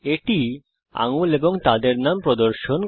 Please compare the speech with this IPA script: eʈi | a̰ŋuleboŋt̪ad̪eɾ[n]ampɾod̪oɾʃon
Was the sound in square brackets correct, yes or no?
yes